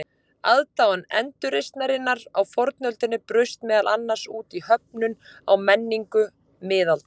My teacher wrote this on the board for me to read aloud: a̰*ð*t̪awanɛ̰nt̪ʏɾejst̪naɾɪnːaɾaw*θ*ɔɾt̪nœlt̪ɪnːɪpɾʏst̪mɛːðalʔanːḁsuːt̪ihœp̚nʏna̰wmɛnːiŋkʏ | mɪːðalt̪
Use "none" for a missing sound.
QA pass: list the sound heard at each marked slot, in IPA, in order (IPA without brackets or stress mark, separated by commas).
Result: ð, f